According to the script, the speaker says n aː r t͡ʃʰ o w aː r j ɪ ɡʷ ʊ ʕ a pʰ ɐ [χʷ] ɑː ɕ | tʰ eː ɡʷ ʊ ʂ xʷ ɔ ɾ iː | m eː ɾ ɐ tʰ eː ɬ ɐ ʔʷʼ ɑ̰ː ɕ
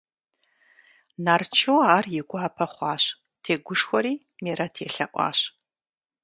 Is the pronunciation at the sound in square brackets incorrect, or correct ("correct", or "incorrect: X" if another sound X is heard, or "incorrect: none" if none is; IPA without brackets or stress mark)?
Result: correct